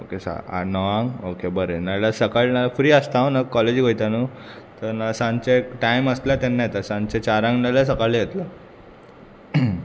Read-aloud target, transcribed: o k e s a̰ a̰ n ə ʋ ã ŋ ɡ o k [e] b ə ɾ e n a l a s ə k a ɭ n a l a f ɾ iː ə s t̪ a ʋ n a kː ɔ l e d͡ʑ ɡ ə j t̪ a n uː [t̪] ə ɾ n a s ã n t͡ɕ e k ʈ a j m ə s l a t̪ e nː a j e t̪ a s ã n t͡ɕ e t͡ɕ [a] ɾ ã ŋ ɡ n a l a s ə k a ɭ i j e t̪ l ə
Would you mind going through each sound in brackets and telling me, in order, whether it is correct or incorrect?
correct, correct, correct

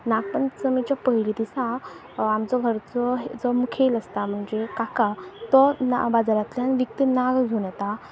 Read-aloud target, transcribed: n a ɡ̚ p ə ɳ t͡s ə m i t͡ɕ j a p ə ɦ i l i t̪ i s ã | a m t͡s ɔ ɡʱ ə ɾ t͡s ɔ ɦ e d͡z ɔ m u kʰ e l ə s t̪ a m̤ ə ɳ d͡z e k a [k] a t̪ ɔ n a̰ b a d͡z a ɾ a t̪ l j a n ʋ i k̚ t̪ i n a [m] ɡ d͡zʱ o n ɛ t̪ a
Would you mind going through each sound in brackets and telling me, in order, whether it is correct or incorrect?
correct, incorrect

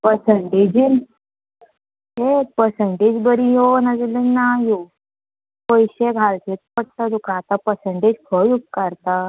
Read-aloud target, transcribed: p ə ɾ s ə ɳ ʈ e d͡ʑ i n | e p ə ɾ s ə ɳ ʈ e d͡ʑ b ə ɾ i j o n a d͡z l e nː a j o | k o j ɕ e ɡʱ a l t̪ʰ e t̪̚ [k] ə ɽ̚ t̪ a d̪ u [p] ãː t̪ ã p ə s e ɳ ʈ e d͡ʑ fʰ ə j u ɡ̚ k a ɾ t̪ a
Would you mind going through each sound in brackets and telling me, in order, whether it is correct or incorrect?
incorrect, incorrect

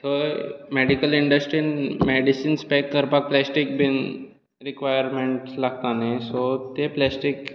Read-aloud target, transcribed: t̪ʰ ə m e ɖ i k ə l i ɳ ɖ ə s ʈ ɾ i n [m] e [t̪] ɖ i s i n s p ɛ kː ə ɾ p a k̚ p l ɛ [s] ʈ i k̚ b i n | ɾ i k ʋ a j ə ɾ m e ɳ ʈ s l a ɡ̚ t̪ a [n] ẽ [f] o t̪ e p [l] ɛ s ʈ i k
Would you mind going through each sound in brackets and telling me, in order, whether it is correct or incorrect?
correct, incorrect, correct, correct, incorrect, correct

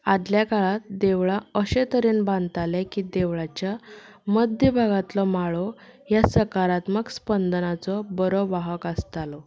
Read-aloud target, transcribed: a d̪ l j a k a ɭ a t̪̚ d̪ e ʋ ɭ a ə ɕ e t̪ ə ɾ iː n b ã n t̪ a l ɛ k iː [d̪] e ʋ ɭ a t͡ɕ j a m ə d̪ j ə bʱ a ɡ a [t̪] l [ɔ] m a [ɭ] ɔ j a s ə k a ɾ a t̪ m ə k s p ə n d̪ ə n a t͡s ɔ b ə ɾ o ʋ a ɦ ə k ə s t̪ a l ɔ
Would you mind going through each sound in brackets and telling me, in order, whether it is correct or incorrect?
correct, correct, correct, correct

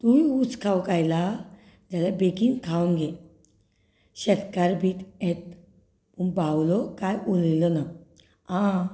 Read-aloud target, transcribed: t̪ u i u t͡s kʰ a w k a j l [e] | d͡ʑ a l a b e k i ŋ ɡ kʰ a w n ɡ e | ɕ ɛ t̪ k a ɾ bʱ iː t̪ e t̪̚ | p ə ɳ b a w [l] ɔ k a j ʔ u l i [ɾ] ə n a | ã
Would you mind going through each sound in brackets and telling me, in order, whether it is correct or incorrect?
incorrect, correct, incorrect

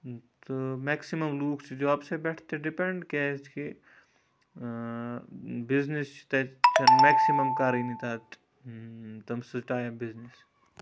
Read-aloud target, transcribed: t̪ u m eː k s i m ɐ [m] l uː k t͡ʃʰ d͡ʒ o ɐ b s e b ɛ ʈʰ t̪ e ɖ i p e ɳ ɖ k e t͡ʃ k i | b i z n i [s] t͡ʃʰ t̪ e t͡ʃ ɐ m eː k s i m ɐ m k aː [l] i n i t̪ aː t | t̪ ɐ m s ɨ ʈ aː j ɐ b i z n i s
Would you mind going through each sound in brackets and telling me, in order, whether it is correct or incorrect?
correct, correct, incorrect

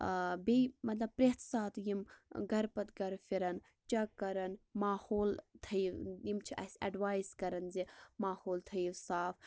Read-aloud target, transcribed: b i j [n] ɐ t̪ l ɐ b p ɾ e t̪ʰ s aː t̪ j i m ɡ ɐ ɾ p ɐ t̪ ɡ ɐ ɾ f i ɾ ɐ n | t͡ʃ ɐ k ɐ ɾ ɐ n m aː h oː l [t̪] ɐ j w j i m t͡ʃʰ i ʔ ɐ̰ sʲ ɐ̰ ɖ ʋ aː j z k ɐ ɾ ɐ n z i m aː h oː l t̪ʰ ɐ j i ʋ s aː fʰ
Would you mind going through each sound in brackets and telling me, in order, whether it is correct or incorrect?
incorrect, incorrect

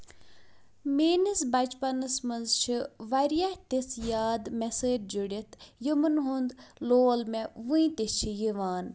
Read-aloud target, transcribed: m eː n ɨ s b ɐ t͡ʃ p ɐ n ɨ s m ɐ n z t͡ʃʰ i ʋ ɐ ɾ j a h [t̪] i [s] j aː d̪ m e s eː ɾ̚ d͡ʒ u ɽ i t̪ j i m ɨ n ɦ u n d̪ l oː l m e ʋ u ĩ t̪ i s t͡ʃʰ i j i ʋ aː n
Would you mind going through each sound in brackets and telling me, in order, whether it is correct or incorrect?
correct, correct

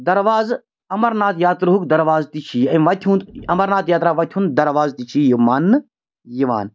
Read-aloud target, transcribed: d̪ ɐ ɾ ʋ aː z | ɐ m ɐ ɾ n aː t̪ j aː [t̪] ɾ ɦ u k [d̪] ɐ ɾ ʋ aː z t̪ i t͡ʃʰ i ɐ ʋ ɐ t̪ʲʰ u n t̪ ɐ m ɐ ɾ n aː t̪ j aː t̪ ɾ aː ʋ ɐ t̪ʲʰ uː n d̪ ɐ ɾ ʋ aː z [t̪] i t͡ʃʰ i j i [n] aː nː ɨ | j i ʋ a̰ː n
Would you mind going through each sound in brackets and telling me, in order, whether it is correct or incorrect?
correct, correct, correct, incorrect

